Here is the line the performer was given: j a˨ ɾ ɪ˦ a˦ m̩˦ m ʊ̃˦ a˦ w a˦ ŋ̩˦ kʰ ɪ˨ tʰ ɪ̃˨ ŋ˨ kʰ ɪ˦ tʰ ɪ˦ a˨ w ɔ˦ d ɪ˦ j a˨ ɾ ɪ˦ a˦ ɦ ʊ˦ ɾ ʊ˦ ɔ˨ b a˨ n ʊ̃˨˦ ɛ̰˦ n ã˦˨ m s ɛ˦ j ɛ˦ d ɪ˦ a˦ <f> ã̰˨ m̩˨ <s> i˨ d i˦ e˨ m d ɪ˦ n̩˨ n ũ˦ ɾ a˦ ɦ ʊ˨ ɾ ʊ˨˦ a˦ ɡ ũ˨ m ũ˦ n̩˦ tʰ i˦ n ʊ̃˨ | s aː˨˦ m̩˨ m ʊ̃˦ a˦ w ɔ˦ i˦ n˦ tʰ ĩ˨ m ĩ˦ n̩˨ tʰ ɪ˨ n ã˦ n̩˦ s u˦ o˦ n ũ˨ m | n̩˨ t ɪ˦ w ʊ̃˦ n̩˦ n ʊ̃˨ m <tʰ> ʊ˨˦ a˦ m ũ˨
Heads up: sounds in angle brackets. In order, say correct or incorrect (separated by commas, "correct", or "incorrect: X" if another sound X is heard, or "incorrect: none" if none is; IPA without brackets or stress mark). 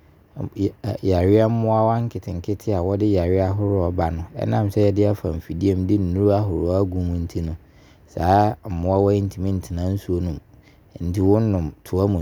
correct, incorrect: f, correct